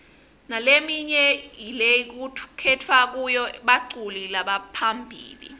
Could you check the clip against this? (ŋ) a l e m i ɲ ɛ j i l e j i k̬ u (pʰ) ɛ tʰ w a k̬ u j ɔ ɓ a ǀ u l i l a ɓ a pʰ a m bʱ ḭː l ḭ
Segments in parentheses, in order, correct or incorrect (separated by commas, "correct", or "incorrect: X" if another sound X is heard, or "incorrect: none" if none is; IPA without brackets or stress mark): incorrect: n, incorrect: kʰ